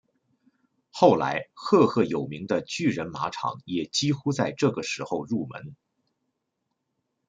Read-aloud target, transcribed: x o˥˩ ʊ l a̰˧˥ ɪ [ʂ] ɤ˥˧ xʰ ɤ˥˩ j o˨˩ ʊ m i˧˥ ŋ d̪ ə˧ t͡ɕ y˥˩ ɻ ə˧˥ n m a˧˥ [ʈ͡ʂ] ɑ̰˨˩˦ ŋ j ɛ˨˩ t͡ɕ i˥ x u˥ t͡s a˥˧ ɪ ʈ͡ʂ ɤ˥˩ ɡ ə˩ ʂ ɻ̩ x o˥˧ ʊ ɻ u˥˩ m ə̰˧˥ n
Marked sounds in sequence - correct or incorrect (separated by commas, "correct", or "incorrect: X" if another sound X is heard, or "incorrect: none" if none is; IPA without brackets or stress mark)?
incorrect: x, incorrect: ʈ͡ʂʰ